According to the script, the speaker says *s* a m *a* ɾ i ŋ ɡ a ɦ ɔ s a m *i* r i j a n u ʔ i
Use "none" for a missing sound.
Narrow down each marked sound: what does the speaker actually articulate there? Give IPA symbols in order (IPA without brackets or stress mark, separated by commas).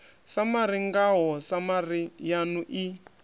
s, a, a